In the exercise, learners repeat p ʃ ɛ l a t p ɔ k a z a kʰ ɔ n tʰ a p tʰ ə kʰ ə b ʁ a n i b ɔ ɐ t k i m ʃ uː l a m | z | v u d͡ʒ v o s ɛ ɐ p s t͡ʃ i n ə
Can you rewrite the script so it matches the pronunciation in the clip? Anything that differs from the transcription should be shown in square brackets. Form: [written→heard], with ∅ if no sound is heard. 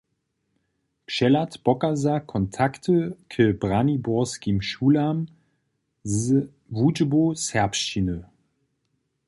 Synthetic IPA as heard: p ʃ ɛ l a t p ɔ k a z a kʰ ɔ n tʰ a [p→k] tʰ ə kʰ ə b ʁ a n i b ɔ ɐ [t→s] k i m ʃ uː l a m | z | v u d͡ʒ [v→b] o s ɛ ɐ p [s→ʃ] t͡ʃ i n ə